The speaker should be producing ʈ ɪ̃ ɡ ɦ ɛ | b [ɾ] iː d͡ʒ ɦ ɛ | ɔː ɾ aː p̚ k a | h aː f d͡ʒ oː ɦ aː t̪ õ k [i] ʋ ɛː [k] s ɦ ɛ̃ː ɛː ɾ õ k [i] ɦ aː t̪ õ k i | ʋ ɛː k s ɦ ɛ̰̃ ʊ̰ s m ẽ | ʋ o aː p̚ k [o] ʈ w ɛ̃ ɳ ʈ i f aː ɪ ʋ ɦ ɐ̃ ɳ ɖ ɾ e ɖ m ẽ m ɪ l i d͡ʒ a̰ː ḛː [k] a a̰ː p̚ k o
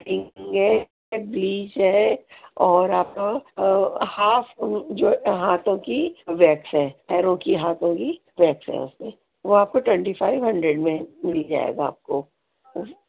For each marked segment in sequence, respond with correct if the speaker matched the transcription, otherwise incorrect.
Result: incorrect: l, correct, correct, correct, correct, incorrect: ɡ

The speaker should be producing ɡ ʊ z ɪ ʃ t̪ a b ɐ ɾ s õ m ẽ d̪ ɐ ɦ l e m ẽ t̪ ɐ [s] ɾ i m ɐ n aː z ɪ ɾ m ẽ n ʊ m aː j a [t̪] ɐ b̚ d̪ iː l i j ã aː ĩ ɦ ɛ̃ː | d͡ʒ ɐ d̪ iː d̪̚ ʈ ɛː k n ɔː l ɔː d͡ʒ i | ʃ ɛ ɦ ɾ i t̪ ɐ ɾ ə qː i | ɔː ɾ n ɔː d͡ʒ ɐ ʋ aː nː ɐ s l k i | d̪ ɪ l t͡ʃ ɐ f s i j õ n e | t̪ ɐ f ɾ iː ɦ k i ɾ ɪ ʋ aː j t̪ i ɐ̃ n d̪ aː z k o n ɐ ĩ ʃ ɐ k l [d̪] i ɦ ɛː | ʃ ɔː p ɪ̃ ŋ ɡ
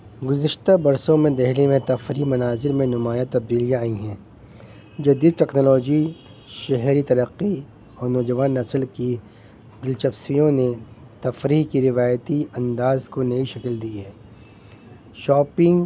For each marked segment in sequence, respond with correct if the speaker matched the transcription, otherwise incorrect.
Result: incorrect: f, correct, correct

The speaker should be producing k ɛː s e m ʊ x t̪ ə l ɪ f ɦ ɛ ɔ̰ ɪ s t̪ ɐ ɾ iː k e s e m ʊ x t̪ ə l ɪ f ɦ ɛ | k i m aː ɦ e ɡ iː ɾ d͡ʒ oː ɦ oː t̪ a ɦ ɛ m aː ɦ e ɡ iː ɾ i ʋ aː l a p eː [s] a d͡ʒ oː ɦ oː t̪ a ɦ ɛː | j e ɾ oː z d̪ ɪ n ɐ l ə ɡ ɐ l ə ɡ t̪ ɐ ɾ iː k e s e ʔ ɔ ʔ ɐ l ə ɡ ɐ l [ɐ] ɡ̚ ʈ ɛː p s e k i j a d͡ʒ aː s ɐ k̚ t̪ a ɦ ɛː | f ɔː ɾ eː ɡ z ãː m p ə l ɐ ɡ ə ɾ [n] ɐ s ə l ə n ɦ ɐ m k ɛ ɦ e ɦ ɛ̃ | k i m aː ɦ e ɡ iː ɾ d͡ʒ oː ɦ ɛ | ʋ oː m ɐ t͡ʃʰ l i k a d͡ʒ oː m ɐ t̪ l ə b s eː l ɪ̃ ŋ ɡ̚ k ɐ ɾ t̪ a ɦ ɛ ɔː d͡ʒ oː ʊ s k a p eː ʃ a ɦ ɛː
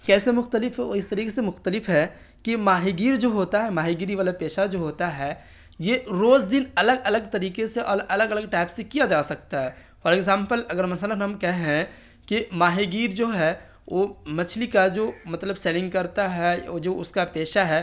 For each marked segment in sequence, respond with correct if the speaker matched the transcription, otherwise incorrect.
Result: incorrect: ʃ, incorrect: ə, incorrect: m

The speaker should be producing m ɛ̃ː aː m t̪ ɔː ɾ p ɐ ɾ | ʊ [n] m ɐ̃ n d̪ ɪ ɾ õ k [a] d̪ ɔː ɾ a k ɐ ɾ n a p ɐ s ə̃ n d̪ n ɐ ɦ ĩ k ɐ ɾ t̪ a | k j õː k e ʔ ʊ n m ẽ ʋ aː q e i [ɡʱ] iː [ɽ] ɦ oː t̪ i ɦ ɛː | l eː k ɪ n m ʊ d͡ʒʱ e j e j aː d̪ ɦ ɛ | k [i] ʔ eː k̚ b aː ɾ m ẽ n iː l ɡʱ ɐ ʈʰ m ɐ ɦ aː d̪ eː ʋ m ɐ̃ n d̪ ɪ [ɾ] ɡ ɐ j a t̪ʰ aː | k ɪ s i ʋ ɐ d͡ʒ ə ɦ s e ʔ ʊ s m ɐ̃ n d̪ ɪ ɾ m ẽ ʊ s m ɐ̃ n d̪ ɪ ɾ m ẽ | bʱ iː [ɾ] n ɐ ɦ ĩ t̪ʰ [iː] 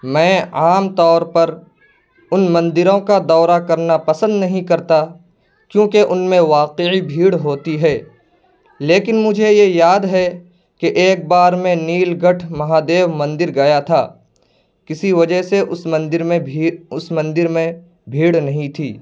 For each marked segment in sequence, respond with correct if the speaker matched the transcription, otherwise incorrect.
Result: correct, correct, incorrect: bʱ, correct, incorrect: e, correct, incorrect: ɽ, correct

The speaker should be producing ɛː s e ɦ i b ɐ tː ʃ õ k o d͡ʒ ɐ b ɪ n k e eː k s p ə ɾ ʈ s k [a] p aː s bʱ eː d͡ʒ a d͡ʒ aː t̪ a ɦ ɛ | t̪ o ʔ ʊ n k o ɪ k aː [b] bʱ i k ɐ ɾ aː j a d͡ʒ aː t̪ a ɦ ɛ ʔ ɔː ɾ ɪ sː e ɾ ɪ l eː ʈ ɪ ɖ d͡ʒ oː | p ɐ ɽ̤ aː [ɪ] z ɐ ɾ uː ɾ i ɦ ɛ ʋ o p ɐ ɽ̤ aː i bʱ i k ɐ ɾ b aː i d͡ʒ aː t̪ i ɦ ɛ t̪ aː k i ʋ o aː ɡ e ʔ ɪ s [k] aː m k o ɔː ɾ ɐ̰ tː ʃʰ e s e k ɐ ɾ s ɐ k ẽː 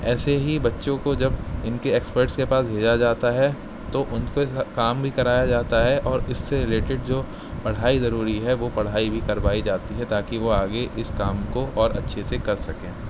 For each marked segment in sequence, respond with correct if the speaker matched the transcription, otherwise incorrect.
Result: incorrect: e, incorrect: m, incorrect: i, correct

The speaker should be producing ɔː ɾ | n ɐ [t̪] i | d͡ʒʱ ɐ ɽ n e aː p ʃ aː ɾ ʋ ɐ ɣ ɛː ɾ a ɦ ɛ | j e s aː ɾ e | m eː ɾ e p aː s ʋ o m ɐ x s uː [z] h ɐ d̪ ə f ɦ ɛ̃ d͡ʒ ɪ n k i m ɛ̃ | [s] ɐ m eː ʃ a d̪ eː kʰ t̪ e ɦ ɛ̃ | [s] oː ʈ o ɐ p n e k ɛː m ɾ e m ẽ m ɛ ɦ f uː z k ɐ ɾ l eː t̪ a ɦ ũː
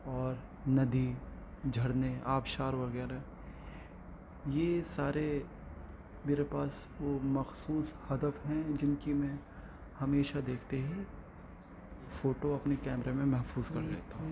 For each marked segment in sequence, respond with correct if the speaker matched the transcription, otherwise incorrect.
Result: incorrect: d̪, incorrect: s, incorrect: h, incorrect: f

